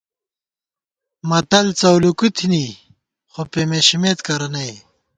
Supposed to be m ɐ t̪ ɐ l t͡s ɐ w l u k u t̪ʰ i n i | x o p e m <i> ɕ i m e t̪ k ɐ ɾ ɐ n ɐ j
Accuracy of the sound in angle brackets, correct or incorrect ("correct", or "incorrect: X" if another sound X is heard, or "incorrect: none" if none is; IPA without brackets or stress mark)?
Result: incorrect: e